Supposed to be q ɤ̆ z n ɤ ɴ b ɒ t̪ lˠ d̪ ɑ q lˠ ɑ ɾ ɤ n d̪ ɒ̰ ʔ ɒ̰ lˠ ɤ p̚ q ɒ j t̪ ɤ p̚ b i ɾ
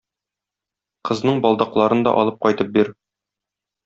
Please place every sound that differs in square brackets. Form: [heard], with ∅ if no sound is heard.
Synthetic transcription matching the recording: q ɤ̆ z n ɤ ɴ b ɒ [∅] lˠ d̪ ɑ q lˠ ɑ ɾ ɤ n d̪ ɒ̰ ʔ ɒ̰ lˠ ɤ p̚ q ɒ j t̪ ɤ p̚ b i ɾ